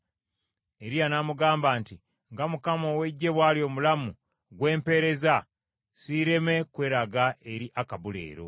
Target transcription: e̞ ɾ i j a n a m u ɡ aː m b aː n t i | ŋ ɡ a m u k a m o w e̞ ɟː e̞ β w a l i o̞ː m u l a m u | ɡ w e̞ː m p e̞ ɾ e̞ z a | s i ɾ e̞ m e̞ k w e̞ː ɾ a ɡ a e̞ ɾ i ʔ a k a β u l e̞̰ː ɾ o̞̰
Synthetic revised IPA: e̞ ɾ i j a n a m u ɡ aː m b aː n t i | ŋ ɡ a m u k a m o w e̞ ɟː e̞ β w a l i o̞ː m u l a m u | ɡ w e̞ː m p e̞ ɾ e̞ z a | s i ɾ e̞ m e̞ k w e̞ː ɾ a ɡ a e̞ ɾ i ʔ a k a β u l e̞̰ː ɾ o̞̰